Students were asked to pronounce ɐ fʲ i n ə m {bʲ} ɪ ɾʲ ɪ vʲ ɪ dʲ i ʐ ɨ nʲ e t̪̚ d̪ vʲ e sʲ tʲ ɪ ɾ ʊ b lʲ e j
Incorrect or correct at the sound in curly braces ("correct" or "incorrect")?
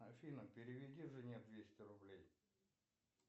incorrect